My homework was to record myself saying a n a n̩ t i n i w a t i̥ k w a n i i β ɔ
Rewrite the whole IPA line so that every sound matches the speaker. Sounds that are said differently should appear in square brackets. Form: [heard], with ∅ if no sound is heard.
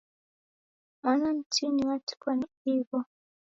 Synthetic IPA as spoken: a n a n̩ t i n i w a t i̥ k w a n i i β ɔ